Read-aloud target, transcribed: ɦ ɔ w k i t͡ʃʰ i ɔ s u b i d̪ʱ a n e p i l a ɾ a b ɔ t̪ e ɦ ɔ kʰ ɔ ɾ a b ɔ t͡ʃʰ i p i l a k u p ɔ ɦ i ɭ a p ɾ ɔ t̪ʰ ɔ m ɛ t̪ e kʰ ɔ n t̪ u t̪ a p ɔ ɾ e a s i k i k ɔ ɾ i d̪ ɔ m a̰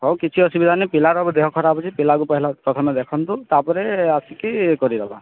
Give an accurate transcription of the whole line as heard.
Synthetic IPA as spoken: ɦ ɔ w k i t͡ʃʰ i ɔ s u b i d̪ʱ a n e p i l a ɾ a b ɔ d̪ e ɦ ɔ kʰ ɔ ɾ a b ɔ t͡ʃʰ i p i l a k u p ɔ ɦ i l a p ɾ ɔ t̪ʰ ɔ m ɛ d̪ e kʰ ɔ n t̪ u t̪ a p ɔ ɾ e a s i k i k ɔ ɾ i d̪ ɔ b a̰